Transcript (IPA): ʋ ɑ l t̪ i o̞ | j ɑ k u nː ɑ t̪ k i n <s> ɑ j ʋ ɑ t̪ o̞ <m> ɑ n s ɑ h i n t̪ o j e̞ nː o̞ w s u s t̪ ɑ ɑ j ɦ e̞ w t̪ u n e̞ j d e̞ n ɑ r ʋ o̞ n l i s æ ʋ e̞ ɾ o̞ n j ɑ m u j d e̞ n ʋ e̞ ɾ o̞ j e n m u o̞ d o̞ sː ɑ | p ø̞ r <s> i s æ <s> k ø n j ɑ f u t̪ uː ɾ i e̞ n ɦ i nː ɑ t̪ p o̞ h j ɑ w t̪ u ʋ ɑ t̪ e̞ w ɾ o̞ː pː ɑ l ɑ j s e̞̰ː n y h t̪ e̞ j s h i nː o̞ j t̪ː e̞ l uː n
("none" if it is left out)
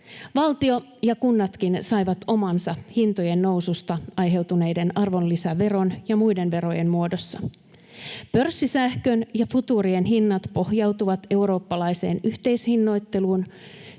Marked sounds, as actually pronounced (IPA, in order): s, m, sː, h

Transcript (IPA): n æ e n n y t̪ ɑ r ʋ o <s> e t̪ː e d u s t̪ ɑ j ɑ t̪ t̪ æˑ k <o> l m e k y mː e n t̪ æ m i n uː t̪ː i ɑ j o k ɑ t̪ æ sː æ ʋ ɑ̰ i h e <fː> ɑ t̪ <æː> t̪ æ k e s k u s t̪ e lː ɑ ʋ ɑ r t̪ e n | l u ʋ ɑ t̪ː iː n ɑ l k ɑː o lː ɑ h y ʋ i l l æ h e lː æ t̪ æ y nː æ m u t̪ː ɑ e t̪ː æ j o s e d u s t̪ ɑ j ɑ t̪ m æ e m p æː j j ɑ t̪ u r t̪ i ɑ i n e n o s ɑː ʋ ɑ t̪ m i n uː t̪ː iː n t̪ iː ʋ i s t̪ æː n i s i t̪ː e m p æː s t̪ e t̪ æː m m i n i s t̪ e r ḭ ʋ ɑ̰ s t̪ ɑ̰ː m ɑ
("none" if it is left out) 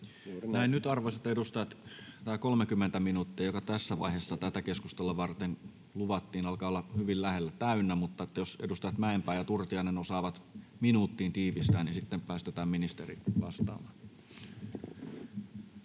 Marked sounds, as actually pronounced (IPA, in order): s, o, sː, æ

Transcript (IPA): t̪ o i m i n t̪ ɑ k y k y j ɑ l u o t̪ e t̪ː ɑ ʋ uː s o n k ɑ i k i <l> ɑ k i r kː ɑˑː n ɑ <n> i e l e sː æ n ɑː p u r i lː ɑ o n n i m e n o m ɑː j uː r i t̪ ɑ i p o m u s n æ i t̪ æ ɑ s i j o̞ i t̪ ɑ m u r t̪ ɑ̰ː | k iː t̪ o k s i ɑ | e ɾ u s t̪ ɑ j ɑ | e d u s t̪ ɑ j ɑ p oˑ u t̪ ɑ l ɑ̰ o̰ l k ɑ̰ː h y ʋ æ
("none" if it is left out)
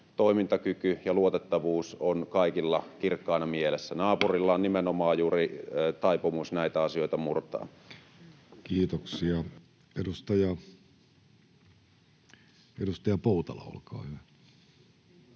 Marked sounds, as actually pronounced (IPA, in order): lː, m

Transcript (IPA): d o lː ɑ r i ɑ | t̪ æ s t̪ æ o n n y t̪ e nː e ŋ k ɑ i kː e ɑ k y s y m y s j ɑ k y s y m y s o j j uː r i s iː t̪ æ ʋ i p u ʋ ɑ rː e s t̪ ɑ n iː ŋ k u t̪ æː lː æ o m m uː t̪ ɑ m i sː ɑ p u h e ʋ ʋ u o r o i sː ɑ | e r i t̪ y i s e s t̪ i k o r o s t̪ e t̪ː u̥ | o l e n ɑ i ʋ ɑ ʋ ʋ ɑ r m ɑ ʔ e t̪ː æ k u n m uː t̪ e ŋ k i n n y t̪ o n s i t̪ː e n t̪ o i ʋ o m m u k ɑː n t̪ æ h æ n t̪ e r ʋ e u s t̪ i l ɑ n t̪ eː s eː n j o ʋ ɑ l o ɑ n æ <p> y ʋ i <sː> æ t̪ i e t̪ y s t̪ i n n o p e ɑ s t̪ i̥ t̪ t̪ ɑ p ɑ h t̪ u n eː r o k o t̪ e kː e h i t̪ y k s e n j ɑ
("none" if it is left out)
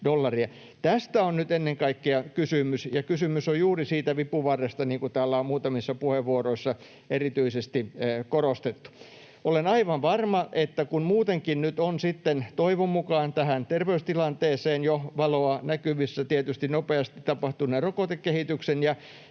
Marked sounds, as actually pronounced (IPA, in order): k, sː

